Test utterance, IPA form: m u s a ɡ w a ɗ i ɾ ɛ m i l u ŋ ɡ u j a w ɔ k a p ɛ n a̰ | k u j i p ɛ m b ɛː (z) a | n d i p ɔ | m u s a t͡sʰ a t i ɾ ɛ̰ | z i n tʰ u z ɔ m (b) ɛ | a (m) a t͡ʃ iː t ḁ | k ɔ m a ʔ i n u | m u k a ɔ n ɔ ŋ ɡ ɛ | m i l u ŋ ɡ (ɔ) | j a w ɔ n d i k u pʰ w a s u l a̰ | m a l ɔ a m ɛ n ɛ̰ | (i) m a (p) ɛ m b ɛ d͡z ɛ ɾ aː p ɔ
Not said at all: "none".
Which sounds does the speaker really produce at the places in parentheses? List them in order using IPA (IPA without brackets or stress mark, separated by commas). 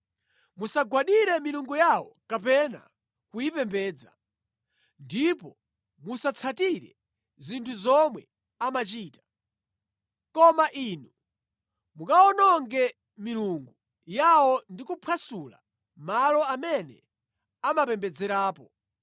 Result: d͡z, w, m, u, a, p